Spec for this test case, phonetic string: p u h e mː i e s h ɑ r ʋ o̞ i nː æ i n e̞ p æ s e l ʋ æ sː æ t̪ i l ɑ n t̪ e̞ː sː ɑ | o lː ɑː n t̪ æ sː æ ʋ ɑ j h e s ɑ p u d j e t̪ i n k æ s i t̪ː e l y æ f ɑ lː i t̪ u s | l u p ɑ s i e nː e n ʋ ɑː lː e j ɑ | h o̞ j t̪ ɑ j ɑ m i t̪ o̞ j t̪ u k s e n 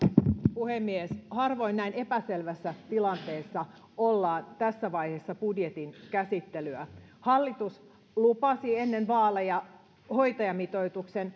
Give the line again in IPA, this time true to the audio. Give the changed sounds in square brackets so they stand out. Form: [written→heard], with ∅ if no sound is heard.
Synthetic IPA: p u h e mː i e s h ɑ r ʋ o̞ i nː æ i n e̞ p æ s e l ʋ æ sː æ t̪ i l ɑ n t̪ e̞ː sː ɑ | o lː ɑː n t̪ æ sː æ ʋ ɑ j h e [s→sː] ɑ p u d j e t̪ i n k æ s i t̪ː e l y æ [f→h] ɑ lː i t̪ u s | l u p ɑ s i e nː e n ʋ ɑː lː e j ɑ | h o̞ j t̪ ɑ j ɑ m i t̪ o̞ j t̪ u k s e n